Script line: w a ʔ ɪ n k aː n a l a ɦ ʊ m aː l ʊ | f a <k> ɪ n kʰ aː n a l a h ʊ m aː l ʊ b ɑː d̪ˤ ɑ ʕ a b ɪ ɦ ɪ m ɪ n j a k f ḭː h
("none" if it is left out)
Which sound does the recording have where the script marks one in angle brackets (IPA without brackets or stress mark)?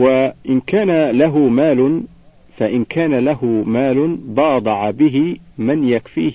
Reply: ʔ